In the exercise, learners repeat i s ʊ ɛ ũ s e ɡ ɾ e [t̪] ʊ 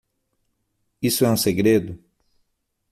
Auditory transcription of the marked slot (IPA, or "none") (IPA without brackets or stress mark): d̪